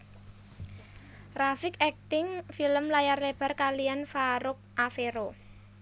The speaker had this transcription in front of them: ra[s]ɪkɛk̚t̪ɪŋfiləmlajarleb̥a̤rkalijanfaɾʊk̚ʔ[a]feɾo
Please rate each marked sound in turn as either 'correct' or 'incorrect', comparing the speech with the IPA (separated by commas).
incorrect, correct